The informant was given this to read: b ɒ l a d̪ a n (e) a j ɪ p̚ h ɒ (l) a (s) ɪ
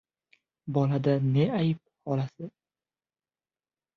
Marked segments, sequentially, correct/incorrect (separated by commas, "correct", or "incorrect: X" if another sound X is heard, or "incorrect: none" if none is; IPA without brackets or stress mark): correct, correct, correct